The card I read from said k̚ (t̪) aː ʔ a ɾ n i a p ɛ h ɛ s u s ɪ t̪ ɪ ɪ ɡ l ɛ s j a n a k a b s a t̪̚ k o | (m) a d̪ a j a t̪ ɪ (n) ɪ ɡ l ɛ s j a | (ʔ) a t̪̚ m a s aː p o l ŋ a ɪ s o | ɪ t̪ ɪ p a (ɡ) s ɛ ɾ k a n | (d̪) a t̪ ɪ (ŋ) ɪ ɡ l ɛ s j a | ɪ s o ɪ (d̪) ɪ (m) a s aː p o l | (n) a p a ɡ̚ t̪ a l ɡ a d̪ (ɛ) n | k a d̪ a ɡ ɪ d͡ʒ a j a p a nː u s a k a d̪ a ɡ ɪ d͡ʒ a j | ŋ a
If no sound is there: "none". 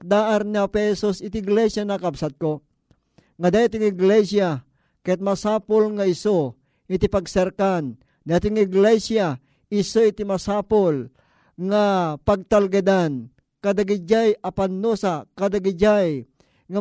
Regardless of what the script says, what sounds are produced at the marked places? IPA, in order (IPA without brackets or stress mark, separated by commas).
d̪, ŋ, ŋ, k, ɡ, d̪, ŋ, t̪, m, ŋ, a